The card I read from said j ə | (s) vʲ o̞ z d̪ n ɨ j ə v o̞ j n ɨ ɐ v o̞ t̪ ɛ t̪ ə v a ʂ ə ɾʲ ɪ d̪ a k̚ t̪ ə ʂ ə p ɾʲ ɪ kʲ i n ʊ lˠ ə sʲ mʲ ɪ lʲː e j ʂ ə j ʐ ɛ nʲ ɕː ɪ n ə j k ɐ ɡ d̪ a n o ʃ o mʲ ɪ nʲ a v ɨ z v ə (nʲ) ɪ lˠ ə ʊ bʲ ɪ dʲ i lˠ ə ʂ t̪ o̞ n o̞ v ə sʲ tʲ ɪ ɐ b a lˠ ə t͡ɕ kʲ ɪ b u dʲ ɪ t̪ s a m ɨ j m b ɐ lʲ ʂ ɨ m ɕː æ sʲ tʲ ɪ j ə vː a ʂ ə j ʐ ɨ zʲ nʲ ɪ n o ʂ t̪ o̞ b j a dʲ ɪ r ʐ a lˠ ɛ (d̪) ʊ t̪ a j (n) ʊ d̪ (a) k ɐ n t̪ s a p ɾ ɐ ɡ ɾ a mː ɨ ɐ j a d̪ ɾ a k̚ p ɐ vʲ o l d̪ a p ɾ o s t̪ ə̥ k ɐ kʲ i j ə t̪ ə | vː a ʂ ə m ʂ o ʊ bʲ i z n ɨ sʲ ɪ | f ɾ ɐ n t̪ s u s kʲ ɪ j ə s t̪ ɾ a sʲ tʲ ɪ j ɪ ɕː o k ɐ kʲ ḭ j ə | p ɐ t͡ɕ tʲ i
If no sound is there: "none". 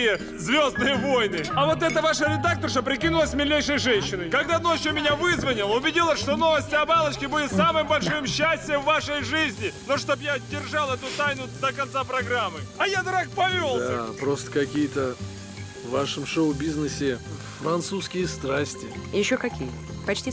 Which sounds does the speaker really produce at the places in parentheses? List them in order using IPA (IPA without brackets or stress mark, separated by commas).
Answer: z, nʲ, t̪, n, ə